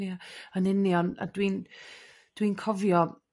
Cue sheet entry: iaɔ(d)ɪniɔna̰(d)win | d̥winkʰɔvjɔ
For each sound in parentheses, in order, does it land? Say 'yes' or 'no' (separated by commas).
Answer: no, yes